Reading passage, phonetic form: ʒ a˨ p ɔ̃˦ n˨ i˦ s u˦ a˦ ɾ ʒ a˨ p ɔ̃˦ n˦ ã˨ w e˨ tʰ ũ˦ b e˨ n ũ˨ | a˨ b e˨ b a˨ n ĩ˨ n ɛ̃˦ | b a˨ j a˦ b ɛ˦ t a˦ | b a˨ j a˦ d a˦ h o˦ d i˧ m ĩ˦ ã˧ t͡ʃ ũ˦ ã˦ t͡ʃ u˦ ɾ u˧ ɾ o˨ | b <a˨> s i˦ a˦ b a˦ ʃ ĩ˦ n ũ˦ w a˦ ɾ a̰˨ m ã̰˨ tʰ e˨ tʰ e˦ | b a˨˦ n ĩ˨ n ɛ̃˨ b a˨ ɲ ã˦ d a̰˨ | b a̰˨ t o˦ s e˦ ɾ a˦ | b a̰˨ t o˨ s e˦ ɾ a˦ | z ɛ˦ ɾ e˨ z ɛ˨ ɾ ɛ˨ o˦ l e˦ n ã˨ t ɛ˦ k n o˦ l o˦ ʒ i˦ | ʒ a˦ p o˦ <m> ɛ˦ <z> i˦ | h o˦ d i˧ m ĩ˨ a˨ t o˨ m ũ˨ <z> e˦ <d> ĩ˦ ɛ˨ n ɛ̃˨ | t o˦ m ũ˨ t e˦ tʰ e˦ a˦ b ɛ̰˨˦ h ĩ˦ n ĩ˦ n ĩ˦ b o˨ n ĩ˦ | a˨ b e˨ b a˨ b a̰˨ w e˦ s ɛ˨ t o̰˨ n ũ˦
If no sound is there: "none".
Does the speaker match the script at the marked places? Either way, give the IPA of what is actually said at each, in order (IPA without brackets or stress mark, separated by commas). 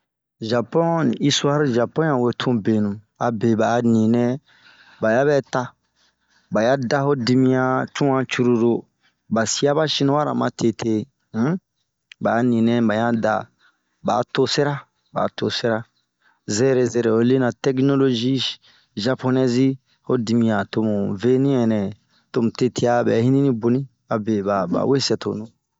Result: a˨, n, z, v, n